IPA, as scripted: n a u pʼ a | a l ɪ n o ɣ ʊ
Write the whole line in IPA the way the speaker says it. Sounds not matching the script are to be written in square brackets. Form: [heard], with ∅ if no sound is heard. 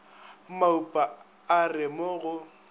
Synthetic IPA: [m] a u pʼ a | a [r] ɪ [m] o ɣ ʊ